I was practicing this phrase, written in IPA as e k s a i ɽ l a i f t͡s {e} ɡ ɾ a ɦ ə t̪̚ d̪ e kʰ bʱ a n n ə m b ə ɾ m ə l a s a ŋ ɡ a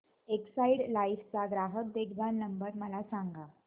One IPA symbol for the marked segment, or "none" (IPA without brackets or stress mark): a